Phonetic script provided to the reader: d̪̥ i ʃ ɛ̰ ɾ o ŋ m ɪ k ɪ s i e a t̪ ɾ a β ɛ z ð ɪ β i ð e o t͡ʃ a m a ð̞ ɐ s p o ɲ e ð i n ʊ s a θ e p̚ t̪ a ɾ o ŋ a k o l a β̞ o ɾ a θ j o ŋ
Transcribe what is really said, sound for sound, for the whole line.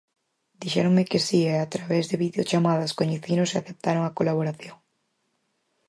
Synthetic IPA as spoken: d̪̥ i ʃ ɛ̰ ɾ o ŋ m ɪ k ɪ s i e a t̪ ɾ a β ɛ z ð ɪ β i ð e o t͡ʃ a m a ð̞ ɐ s k o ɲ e θ i n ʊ s a θ e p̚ t̪ a ɾ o ŋ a k o l a β̞ o ɾ a θ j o ŋ